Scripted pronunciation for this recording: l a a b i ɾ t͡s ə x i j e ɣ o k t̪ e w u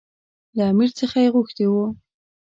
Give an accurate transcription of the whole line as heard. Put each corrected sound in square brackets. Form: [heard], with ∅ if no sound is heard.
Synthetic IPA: l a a [m] i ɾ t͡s ə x [a] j e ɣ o [x] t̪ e w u

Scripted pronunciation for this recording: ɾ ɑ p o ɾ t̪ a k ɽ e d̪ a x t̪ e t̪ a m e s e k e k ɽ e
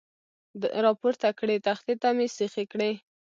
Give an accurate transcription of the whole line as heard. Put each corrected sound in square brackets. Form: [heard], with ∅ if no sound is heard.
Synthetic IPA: ɾ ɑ p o ɾ t̪ a k ɽ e [t̪] a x t̪ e t̪ a m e s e [x] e k ɽ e

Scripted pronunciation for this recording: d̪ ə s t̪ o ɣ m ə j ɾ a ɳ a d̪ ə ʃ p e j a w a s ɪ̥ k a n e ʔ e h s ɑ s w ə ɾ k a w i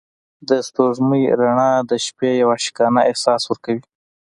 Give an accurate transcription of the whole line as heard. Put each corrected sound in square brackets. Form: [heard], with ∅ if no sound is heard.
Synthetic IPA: d̪ ə s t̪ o [ʐ] m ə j ɾ a ɳ [ɑ] d̪ ə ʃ p e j a w a [ʃ] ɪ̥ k [ɑ] n [a] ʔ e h s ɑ s w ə ɾ k a w i

